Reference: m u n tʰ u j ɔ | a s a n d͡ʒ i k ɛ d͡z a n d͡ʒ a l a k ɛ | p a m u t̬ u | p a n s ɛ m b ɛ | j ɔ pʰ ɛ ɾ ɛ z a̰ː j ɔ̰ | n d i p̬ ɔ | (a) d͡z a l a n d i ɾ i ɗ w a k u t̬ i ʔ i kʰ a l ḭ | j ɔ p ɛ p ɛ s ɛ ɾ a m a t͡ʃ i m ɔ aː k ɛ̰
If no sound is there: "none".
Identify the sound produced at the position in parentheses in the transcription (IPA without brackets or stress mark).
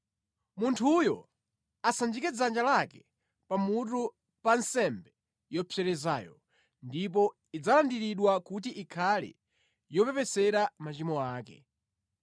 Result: i